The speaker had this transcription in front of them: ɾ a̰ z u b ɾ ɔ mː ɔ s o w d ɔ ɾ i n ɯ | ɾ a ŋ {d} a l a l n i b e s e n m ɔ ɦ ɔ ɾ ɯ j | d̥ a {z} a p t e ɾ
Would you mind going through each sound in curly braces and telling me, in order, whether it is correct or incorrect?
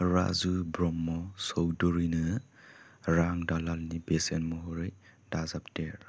correct, correct

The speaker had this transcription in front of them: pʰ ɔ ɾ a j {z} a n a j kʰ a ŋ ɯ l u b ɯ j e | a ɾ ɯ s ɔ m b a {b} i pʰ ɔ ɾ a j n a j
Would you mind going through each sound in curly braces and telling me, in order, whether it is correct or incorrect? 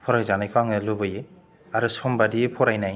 correct, incorrect: d

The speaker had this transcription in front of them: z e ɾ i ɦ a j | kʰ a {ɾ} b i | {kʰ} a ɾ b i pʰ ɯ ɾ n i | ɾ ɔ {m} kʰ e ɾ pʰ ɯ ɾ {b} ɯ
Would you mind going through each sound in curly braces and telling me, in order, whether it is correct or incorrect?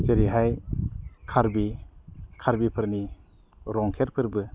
correct, correct, incorrect: ŋ, correct

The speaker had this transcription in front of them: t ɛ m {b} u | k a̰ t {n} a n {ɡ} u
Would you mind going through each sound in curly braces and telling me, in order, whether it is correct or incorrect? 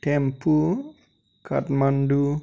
incorrect: p, incorrect: m, incorrect: d

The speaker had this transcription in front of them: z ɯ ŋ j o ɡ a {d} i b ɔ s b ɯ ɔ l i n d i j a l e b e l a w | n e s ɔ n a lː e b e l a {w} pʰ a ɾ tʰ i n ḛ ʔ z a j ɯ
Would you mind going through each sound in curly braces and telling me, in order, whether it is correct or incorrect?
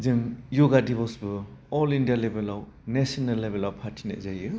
correct, correct

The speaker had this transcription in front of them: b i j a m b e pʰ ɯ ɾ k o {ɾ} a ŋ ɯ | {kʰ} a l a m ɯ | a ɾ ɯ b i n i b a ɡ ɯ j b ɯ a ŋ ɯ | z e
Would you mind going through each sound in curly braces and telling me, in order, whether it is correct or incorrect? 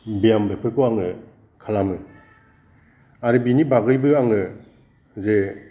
incorrect: none, correct

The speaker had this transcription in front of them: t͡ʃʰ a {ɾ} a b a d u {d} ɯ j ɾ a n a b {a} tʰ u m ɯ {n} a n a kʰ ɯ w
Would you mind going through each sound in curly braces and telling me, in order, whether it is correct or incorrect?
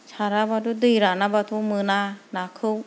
correct, correct, correct, correct

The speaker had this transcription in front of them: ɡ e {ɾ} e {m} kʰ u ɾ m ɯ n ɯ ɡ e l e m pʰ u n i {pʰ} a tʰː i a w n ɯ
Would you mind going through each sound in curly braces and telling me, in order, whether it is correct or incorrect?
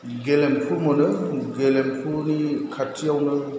incorrect: l, correct, incorrect: kʰ

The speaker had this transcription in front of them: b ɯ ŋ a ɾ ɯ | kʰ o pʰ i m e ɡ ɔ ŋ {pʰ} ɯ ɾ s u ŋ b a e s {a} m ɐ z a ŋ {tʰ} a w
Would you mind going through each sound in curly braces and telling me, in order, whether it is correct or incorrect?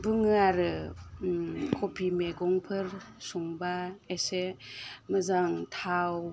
correct, incorrect: e, correct

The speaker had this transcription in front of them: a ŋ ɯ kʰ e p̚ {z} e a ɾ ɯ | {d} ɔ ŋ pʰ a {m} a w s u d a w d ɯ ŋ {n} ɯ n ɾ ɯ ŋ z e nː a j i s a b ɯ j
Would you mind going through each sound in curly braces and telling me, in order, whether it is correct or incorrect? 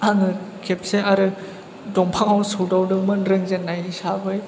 incorrect: s, correct, incorrect: ŋ, incorrect: m

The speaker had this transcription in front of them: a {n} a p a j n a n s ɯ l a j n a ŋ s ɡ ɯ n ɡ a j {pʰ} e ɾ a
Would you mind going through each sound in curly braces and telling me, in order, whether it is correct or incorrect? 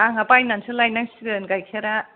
incorrect: ŋ, incorrect: kʰ

